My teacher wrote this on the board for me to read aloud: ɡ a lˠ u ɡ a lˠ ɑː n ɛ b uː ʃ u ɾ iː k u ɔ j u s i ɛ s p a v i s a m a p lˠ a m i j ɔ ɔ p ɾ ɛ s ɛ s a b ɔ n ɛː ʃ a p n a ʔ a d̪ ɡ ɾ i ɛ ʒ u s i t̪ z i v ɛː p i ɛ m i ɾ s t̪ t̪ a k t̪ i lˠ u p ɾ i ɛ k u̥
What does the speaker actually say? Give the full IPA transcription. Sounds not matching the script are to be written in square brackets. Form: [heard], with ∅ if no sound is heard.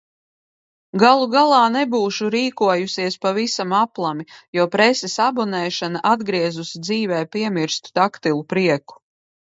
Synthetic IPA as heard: ɡ a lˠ u ɡ a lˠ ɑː n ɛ b uː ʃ u ɾ iː k u ɔ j u s i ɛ s p a v i s a m a p lˠ a m i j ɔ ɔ p ɾ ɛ s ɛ s a b ɔ n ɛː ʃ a [∅] n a ʔ a d̪ ɡ ɾ i ɛ [z] u s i [d̪] z [iː] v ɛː p i ɛ m i ɾ s t̪ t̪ a k t̪ i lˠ u p ɾ i ɛ k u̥

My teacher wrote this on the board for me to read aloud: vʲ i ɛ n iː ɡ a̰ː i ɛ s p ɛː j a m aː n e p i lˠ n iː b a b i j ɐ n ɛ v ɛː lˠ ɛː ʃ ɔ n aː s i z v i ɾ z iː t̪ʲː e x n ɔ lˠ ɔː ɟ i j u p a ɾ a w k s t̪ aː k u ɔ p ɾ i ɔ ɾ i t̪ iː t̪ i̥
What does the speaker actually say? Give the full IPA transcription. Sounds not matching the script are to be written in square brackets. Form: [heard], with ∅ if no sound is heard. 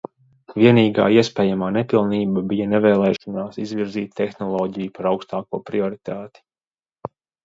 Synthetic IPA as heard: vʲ i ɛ n iː ɡ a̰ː i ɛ s p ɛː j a m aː n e p i lˠ n iː b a b i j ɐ n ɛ v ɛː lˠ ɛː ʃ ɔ n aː s i z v i ɾ z iː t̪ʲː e x n ɔ lˠ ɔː ɟ i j u p a ɾ a w k s t̪ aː k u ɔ p ɾ i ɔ ɾ i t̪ [aː] t̪ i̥

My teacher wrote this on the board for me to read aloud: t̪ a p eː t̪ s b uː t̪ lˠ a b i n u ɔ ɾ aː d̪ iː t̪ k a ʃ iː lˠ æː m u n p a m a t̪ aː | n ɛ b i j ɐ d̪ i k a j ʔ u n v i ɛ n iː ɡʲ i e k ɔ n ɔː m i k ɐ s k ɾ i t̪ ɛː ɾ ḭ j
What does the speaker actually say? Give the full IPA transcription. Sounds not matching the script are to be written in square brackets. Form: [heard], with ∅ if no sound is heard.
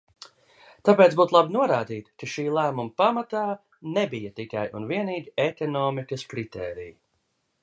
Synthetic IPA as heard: t̪ a p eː t̪ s b uː t̪ lˠ a b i n u ɔ ɾ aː d̪ iː t̪ k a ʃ iː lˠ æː m u [m] p a m a t̪ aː | n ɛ b i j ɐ [t̪] i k a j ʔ u n v i ɛ n iː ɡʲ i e k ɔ n ɔː m i k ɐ s k ɾ i t̪ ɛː ɾ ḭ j

